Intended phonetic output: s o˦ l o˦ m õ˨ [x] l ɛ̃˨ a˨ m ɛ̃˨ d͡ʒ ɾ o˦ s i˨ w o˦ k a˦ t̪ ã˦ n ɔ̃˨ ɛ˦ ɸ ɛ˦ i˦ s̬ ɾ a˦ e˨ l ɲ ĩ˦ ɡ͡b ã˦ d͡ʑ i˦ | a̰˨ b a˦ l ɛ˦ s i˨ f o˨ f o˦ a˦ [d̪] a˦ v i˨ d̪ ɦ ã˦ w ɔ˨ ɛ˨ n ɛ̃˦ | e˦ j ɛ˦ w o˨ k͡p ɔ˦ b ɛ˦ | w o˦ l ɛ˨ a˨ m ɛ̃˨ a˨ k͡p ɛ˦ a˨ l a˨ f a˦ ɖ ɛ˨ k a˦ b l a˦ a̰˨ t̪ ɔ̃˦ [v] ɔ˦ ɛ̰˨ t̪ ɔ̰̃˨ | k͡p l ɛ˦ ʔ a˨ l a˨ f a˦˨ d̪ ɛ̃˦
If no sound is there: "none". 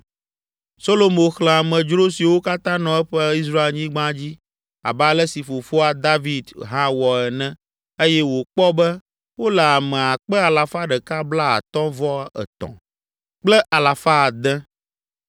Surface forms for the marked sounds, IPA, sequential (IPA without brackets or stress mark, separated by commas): x, d̪, v